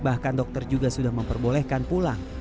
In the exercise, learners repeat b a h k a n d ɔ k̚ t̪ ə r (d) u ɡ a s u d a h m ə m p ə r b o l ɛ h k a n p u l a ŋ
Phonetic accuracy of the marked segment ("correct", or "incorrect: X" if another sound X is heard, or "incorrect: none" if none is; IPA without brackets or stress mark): incorrect: d͡ʒ